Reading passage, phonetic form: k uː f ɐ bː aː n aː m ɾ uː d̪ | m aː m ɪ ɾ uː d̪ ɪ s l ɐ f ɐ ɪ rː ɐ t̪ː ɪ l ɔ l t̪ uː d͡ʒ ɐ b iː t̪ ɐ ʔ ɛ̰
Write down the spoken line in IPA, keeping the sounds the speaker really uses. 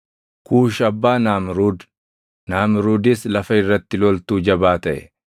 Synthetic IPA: k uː ʃ ɐ bː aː n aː m ɾ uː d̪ | n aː m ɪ ɾ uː d̪ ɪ s l ɐ f ɐ ɪ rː ɐ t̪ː ɪ l ɔ l t̪ uː d͡ʒ ɐ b aː t̪ ɐ ʔ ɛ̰